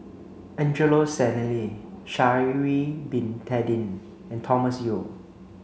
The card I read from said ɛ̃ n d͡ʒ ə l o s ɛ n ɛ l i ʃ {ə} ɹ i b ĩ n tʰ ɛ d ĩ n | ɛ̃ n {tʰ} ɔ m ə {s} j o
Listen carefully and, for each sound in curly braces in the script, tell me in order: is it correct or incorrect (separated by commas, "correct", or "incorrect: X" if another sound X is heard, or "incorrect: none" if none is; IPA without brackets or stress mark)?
incorrect: a, correct, correct